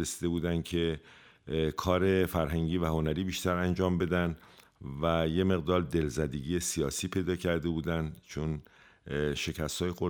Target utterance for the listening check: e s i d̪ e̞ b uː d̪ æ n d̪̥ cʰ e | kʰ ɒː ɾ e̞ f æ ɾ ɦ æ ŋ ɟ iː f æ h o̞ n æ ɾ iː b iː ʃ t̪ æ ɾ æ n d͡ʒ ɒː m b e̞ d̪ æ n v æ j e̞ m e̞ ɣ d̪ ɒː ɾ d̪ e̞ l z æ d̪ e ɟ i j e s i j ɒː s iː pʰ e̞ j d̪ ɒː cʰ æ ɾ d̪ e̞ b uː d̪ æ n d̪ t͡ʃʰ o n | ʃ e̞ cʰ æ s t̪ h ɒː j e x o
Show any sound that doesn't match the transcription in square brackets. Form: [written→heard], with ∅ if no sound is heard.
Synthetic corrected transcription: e s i d̪ e̞ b uː d̪ æ n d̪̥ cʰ e | kʰ ɒː ɾ e̞ f æ ɾ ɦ æ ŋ ɟ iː [f→v] æ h o̞ n æ ɾ iː b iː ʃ t̪ æ ɾ æ n d͡ʒ ɒː m b e̞ d̪ æ n v æ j e̞ m e̞ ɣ d̪ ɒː ɾ d̪ e̞ l z æ d̪ e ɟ i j e s i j ɒː s iː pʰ e̞ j d̪ ɒː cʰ æ ɾ d̪ e̞ b uː d̪ æ n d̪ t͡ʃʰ o n | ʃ e̞ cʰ æ s t̪ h ɒː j e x o